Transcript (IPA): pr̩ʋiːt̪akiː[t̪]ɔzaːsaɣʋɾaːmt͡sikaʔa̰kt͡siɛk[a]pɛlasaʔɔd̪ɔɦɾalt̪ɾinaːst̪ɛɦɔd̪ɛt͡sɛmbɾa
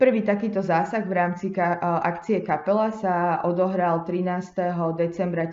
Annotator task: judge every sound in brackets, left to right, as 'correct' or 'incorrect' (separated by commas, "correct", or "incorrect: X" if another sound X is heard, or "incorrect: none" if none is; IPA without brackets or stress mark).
correct, correct